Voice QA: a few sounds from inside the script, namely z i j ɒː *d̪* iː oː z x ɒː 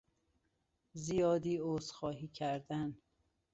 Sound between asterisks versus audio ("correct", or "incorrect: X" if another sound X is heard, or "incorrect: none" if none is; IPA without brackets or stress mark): correct